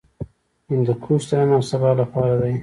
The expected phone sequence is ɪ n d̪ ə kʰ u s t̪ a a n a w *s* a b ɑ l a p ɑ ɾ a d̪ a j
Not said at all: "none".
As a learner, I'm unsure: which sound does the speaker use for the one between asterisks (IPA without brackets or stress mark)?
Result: s